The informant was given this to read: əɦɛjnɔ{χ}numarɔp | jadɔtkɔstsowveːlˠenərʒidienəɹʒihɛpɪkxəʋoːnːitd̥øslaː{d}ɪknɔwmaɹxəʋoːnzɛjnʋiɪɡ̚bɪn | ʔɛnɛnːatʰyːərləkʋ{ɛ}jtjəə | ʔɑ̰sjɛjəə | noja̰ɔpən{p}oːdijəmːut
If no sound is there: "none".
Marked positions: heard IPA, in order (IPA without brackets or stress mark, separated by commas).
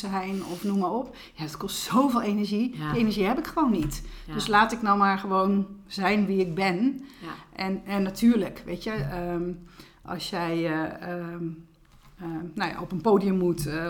f, t, e, p